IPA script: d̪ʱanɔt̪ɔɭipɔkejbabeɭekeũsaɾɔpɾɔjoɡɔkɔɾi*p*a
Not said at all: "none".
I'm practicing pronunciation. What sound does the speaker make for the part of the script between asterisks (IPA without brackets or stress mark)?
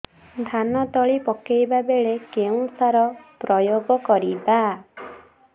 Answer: b